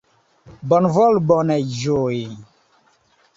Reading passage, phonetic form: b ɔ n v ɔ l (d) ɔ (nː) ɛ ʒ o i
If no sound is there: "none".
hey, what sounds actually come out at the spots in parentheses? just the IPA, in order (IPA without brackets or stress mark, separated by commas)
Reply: b, n